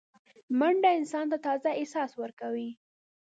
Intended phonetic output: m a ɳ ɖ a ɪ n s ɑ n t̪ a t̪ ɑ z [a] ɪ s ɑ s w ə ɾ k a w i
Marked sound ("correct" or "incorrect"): correct